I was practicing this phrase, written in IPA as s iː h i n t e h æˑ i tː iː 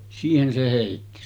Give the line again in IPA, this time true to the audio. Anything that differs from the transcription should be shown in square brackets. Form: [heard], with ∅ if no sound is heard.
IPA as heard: s iː h [e] n [s] e h [eˑ] i tː [i]